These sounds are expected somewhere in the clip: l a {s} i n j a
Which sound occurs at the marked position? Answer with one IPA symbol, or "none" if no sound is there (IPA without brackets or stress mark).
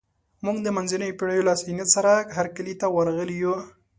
s